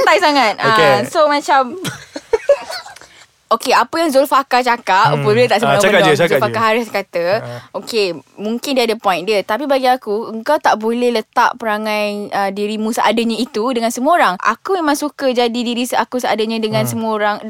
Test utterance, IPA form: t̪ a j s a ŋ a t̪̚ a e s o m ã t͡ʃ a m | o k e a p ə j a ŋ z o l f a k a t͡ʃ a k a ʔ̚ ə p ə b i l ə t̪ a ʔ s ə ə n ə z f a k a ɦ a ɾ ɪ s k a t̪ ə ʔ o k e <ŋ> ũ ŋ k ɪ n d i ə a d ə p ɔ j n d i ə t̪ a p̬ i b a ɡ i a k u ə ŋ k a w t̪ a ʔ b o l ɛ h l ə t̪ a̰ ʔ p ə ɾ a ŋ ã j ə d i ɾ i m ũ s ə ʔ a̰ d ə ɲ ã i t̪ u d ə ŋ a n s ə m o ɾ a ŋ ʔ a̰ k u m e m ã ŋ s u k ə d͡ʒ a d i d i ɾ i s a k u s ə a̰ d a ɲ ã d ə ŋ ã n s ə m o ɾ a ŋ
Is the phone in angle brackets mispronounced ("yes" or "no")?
yes